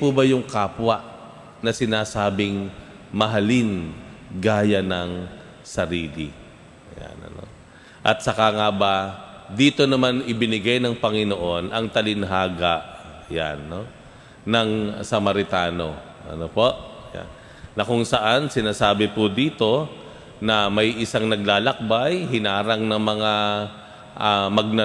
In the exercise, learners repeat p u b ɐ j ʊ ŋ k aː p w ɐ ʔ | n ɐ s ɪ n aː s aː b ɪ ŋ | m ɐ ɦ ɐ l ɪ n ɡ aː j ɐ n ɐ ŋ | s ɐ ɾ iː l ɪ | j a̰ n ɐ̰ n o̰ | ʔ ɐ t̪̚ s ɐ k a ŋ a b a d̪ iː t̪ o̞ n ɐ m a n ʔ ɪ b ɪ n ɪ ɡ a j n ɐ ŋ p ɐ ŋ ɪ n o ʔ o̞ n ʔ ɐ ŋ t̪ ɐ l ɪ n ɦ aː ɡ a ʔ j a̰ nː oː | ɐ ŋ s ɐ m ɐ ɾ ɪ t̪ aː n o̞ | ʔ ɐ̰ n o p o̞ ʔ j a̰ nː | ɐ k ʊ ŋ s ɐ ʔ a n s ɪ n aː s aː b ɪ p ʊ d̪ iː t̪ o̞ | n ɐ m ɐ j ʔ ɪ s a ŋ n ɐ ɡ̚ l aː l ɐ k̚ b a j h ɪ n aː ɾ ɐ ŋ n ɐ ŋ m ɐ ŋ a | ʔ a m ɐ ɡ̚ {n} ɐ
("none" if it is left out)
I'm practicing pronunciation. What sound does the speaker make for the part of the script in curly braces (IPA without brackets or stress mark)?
n